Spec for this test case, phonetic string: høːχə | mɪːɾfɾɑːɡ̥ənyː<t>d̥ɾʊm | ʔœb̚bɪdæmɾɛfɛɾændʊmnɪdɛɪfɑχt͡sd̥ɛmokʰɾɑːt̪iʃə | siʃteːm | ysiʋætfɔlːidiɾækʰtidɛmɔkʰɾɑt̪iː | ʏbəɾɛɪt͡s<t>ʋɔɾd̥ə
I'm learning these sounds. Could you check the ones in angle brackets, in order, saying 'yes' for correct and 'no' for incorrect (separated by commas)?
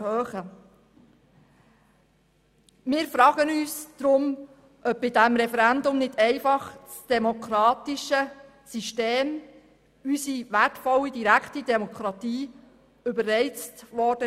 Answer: no, yes